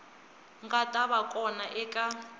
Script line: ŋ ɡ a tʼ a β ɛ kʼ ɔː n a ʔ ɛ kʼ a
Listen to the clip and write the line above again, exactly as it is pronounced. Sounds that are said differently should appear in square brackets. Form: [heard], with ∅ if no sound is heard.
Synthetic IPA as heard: ŋ ɡ a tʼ a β [a] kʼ [ɔ] n a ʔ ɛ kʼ a